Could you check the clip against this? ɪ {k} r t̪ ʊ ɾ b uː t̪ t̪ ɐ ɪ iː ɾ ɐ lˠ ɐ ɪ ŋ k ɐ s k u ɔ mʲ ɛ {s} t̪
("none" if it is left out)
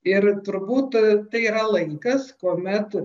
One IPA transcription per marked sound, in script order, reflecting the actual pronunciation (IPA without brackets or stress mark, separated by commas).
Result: none, none